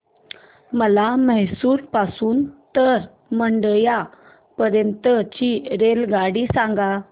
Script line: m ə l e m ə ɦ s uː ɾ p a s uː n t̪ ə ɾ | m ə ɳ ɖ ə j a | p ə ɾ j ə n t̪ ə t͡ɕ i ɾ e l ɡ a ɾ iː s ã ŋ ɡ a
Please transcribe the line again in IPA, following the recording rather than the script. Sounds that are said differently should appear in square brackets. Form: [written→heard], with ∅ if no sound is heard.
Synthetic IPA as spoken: m ə l [e→a] m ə ɦ s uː ɾ p a s uː n t̪ ə ɾ | m ə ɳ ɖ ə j a | p ə ɾ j ə n t̪ ə t͡ɕ i ɾ e l ɡ a [ɾ→ɽ] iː s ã ŋ ɡ a